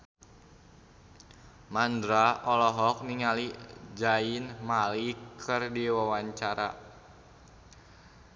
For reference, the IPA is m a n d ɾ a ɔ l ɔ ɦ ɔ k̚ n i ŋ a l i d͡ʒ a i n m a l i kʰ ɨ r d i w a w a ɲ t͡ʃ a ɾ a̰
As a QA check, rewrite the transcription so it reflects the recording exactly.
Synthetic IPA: m a n d ɾ a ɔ l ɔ ɦ ɔ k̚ n i ŋ a l i d͡ʒ a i n m a l i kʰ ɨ r d i w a w a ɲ t͡ʃ a ɾ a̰